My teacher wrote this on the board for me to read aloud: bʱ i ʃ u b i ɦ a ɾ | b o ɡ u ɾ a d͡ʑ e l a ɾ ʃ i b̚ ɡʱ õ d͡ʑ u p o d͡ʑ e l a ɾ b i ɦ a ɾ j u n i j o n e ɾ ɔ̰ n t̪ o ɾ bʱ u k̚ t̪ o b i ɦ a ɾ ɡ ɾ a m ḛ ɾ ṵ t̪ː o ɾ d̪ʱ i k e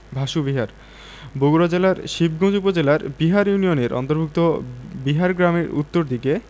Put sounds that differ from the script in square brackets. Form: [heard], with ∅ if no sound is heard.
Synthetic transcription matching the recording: bʱ [a] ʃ u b i ɦ a ɾ | b o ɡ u ɾ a d͡ʑ e l a ɾ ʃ i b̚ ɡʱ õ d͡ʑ u p o d͡ʑ e l a ɾ b i ɦ a ɾ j u n i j o n e ɾ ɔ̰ n t̪ o ɾ bʱ u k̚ t̪ o b i ɦ a ɾ ɡ ɾ a m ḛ ɾ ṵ t̪ː o ɾ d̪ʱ i k e